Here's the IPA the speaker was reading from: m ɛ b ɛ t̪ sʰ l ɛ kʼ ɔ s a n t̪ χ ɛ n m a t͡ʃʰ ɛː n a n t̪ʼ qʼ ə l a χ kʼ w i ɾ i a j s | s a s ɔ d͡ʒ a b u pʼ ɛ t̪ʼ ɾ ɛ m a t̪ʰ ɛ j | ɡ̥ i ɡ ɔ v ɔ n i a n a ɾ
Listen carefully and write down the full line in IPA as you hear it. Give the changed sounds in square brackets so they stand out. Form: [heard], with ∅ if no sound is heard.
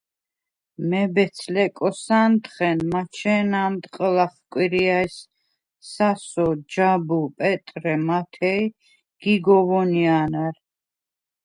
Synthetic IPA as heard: m ɛ b ɛ t̪ sʰ l ɛ kʼ ɔ s a n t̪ χ ɛ n m a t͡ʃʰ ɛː n a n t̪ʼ qʼ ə l a χ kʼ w i ɾ i a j s | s a s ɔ d͡ʒ a b u pʼ ɛ t̪ʼ ɾ ɛ m a t̪ʰ ɛ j | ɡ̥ i ɡ ɔ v ɔ n i a n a ɾ